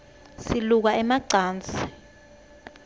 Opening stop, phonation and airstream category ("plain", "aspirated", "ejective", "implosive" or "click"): plain